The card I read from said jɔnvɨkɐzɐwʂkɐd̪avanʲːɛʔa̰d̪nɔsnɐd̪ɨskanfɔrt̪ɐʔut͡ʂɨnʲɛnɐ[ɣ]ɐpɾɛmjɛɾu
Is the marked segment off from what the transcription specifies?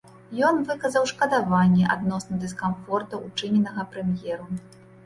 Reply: no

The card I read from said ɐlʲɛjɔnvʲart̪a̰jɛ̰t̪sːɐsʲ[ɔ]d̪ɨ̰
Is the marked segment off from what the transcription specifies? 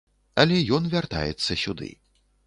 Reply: yes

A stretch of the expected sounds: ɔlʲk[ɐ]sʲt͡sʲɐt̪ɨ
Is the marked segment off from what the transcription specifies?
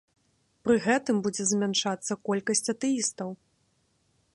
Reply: no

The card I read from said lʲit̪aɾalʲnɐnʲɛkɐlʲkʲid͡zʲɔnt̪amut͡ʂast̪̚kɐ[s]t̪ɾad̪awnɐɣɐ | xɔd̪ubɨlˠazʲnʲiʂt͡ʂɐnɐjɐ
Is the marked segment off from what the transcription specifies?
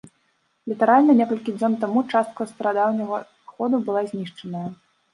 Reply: no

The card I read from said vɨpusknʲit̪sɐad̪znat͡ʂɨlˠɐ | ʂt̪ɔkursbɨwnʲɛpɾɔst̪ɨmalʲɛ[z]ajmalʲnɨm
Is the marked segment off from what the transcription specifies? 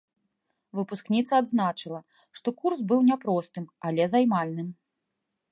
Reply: no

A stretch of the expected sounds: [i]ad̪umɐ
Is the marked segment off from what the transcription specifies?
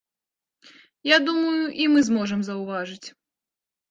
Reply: yes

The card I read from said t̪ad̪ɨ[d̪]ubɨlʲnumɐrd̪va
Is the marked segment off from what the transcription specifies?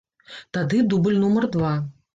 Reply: no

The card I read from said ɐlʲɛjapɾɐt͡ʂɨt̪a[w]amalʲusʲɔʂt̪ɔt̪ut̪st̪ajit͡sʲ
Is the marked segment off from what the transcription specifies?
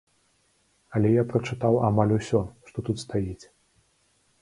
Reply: no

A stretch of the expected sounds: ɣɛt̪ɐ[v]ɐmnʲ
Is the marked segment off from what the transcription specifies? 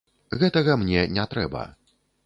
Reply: yes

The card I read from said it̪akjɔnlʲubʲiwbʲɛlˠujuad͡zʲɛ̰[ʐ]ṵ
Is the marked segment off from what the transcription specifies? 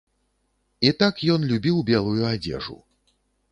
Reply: no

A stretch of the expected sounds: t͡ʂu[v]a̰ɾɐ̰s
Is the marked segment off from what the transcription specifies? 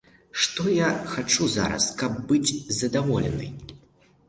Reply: yes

